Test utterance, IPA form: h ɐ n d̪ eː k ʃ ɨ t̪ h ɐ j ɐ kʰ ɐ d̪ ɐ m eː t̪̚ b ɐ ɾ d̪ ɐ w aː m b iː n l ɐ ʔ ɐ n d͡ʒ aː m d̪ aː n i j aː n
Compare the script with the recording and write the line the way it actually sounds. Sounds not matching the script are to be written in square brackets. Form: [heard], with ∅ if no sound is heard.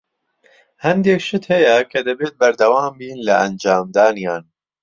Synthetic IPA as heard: h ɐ n d̪ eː k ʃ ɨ t̪ h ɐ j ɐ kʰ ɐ d̪ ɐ [b] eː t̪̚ b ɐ ɾ d̪ ɐ w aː m b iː n l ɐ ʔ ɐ n d͡ʒ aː m d̪ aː n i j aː n